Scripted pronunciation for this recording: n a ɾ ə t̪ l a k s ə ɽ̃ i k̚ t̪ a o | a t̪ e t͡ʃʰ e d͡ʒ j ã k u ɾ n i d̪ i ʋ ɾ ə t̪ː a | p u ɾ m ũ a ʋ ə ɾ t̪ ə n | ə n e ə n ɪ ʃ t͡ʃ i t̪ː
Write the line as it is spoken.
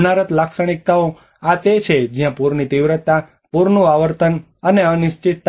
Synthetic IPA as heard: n a ɾ ə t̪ l a k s ə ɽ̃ i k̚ t̪ a o | a t̪ e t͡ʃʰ e d͡ʒ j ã p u ɾ n i t̪ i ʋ ɾ ə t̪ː a | p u ɾ n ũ a ʋ ə ɾ t̪ ə n | ə n e ə n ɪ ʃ t͡ʃ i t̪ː